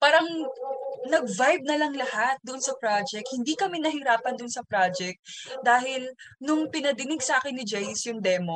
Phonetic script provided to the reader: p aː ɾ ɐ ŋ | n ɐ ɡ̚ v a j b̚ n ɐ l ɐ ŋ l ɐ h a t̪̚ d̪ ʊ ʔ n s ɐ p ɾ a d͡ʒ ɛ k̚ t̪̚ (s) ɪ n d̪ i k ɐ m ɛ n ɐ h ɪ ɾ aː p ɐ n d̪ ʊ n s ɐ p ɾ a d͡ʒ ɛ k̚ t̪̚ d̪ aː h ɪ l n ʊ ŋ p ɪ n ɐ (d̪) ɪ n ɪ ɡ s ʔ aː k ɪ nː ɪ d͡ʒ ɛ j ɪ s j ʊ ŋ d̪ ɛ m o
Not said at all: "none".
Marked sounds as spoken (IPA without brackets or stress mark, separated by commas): h, d̪